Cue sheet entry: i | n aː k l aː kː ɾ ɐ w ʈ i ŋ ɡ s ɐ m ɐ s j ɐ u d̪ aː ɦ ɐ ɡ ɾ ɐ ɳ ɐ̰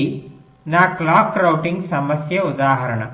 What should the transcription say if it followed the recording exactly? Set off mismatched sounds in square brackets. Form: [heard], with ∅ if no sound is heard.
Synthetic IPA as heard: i | n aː k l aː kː ɾ ɐ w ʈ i ŋ ɡ s ɐ m ɐ s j ɐ u d̪ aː ɦ ɐ [∅] ɾ ɐ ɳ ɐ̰